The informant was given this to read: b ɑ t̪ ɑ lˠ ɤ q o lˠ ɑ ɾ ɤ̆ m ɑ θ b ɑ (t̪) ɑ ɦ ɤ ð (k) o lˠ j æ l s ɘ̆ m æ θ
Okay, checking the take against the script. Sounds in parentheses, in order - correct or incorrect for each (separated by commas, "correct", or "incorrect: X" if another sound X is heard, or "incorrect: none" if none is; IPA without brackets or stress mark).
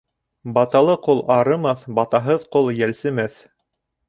correct, incorrect: q